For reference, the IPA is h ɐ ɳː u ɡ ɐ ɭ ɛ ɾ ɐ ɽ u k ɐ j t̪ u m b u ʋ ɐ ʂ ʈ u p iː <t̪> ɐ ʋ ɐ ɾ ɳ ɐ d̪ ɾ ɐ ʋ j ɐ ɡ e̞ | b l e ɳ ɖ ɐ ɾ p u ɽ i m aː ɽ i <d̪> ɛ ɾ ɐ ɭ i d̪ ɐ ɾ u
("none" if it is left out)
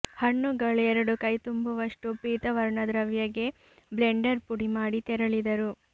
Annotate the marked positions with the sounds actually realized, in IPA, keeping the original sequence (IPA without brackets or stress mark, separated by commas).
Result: t̪, t̪